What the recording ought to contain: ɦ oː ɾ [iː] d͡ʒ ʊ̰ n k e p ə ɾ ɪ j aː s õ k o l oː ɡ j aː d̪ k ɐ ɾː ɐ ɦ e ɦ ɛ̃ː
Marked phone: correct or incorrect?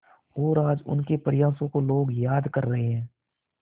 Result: incorrect